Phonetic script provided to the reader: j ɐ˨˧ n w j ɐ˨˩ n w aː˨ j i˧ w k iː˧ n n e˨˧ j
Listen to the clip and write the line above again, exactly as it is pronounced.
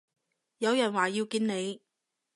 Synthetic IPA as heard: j ɐ˨˧ w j ɐ˨˩ n w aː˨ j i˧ w k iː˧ n n e˨˧ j